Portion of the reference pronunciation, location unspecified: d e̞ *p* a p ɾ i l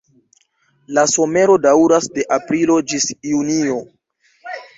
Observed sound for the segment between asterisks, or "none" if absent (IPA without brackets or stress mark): ʔ